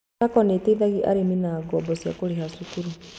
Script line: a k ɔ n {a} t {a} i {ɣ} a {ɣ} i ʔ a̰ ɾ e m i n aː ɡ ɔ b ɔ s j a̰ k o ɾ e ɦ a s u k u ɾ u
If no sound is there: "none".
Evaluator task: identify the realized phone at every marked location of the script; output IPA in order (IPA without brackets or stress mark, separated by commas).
e, e, ð, ɣ